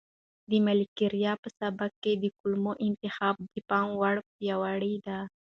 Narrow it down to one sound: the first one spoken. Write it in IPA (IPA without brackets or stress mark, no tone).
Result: d̪